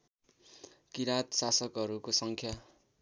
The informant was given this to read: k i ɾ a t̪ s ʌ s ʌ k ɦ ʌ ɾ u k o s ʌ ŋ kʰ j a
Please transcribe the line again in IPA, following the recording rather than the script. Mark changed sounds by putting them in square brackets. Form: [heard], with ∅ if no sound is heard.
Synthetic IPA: k i ɾ a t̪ s [a] s ʌ k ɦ ʌ ɾ u k o s ʌ ŋ kʰ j a